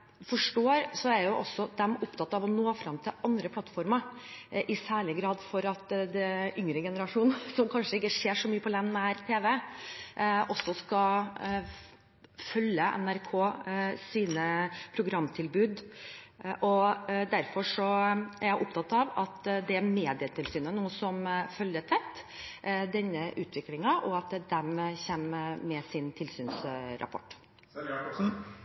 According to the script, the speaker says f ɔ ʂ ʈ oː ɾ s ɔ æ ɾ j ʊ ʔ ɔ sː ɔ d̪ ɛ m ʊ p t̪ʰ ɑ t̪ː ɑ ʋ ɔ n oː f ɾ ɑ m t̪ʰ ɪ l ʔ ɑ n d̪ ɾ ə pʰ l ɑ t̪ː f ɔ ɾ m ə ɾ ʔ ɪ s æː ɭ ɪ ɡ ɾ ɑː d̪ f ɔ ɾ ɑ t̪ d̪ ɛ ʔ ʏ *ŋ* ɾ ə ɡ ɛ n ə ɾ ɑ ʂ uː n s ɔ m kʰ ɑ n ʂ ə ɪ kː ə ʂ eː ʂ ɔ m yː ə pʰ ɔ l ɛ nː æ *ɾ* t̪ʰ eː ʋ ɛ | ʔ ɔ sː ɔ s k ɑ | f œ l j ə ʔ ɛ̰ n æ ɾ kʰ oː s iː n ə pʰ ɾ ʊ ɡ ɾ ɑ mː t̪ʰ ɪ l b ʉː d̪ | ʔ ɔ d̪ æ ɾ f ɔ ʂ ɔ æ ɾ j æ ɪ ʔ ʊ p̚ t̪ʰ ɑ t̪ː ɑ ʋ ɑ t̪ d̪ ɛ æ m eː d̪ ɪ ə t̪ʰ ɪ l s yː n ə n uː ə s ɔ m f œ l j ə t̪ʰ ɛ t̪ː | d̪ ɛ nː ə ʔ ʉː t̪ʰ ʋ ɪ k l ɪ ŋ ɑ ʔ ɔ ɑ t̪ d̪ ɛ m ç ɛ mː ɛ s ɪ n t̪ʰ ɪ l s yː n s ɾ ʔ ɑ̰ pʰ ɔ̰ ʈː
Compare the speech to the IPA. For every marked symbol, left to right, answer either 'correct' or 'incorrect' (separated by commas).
correct, correct